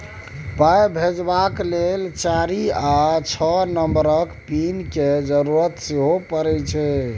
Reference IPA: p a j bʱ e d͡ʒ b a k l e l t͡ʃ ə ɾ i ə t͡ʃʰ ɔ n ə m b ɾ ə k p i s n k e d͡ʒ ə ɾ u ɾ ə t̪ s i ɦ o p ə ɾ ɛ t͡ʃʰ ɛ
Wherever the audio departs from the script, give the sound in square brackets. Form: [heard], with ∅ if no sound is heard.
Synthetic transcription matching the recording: p a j bʱ e d͡ʒ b a k l e l t͡ʃ [a] ɾ i [a] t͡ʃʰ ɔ n ə m b ɾ ə k p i [∅] n k e d͡ʒ ə ɾ u ɾ ə t̪ s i ɦ o p ə ɾ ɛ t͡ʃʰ ɛ